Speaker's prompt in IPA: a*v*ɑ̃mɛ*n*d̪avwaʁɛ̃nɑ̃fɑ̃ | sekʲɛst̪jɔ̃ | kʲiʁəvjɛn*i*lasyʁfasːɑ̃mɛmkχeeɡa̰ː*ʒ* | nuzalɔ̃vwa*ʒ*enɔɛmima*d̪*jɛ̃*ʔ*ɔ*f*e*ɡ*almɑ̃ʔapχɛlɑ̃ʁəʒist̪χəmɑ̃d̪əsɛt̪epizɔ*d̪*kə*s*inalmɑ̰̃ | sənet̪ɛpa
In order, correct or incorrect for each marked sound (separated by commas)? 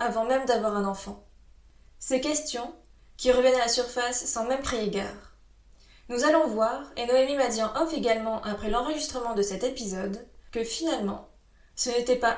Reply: correct, incorrect, incorrect, incorrect, incorrect, correct, correct, correct, correct, correct, incorrect